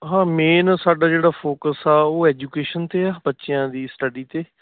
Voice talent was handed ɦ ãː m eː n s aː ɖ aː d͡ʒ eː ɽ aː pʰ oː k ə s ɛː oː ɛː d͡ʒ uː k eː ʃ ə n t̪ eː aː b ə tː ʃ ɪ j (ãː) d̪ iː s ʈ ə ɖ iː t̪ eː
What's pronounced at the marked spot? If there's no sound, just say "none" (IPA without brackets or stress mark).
ãː